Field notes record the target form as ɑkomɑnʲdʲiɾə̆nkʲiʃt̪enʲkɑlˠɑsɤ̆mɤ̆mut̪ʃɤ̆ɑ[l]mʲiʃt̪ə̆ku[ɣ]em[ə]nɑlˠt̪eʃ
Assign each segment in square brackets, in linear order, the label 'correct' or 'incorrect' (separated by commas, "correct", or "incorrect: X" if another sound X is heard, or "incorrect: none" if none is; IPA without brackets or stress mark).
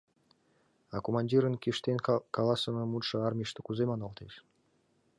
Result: incorrect: r, incorrect: z, incorrect: ɑ